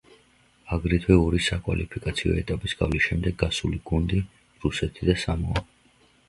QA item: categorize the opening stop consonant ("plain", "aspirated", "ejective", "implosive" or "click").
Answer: plain